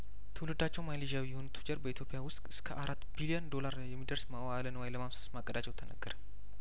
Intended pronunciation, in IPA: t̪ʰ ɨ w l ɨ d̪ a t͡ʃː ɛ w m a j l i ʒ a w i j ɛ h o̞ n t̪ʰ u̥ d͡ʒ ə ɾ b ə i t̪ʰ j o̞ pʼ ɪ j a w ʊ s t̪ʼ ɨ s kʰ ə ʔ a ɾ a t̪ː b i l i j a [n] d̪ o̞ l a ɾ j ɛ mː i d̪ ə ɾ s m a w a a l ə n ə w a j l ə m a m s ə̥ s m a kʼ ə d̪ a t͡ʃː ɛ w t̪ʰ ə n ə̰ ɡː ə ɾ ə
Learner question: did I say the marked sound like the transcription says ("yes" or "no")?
yes